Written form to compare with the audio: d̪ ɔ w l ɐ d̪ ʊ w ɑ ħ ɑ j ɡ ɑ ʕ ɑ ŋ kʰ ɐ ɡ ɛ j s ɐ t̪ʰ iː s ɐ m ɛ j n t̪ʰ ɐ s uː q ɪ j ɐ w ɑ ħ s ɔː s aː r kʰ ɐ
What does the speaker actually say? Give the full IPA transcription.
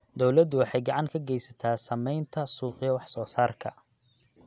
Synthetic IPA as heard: d̪ ɔ w l ɐ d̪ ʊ w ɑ ħ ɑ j ɡ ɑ ʕ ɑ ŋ kʰ ɐ ɡ ɛ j s ɐ t̪ʰ aː s ɐ m ɛ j n t̪ʰ ɐ s uː q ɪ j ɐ w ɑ ħ s ɔː s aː r kʰ ɐ

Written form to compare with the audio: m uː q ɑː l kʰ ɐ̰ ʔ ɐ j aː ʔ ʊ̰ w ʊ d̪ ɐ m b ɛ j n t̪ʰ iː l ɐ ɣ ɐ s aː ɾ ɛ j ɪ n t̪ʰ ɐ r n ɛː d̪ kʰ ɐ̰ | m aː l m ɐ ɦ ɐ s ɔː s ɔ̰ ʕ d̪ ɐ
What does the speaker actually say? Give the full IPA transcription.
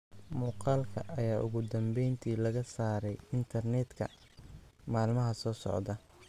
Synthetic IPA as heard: m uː q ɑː l kʰ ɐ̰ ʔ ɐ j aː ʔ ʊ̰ ɣ ʊ d̪ ɐ m b ɛ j n t̪ʰ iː l ɐ ɣ ɐ s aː ɾ ɛ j ɪ n t̪ʰ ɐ r n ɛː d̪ kʰ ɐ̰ | m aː l m ɐ ɦ ɐ s ɔː s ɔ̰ ʕ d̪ ɐ

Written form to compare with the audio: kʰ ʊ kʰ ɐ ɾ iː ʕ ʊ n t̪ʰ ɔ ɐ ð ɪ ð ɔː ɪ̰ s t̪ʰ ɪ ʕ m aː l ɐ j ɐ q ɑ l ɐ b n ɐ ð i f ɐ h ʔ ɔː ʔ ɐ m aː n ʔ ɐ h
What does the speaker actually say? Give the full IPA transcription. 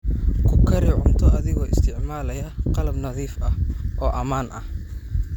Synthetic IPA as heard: kʰ ʊ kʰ ɐ ɾ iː ʕ ʊ n t̪ʰ ɔ ɐ ð ɪ ɣ ɔː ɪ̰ s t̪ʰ ɪ ʕ m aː l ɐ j ɐ q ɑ l ɐ b n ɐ ð iː f ɐ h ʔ ɔː ʔ ɐ m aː n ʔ ɐ h

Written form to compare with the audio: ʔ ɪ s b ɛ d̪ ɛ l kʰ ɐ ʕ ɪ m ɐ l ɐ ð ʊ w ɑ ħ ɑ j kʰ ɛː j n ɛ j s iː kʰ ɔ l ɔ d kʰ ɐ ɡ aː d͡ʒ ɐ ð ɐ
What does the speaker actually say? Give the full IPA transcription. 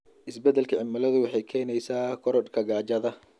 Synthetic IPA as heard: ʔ ɪ s b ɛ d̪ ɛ l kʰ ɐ ʕ ɪ m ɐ l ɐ ð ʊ w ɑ ħ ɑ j kʰ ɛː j n ɛ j s aː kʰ ɔ ɾ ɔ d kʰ ɐ ɡ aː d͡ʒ ɐ ð ɐ

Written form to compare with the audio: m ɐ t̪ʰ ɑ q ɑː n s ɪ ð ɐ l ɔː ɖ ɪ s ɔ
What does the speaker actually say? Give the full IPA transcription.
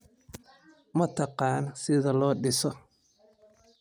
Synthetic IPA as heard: m ɐ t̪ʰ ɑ q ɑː n s ɪ ð ɐ l ɔː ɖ ɪ s ɔ

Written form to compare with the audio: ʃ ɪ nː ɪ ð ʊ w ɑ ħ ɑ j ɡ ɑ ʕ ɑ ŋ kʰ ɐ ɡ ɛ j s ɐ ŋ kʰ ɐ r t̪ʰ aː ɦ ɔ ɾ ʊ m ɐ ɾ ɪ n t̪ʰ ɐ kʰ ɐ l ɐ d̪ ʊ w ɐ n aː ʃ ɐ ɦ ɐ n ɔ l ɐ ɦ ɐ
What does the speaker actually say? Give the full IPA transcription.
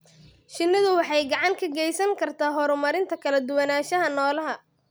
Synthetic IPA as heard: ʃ ɪ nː ɪ ð ʊ w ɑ ħ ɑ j ɡ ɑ ʕ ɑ ŋ kʰ ɐ ɡ ɛ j s ɐ ŋ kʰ ɐ r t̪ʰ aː ɦ ɔ ɾ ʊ m ɐ ɾ ɪ n t̪ʰ ɐ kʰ ɐ l ɐ d̪ ʊ w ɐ n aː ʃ ɐ ɦ ɐ n ɔː l ɐ ɦ ɐ

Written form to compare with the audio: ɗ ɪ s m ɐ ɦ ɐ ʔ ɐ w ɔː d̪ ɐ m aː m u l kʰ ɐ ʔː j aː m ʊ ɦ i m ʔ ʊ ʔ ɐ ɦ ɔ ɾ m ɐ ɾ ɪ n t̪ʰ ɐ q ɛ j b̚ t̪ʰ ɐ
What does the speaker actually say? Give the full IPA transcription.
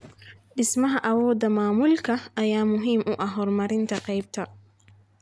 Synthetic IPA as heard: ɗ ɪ s m ɐ ɦ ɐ ʔ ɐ w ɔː d̪ ɐ m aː m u l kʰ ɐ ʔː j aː m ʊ ɦ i m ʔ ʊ ʔ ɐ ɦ ɔ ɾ m ɐ ɾ ɪ n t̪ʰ ɐ q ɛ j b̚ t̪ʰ ɐ

